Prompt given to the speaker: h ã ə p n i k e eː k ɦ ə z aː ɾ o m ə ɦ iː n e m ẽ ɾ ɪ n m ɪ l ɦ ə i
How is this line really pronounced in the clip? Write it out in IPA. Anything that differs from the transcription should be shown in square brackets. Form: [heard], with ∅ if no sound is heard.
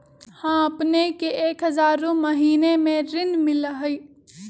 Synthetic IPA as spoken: h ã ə p n [e] k e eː k ɦ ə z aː ɾ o m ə ɦ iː n e m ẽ ɾ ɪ n m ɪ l ɦ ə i